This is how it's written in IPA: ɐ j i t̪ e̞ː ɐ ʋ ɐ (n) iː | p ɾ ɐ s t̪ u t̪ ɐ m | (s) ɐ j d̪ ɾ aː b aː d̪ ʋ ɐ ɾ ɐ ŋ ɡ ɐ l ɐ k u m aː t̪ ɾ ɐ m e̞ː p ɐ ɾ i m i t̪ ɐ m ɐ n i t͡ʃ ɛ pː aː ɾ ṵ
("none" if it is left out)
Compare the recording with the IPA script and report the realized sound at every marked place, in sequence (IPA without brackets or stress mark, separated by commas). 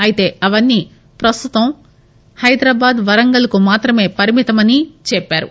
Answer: nː, h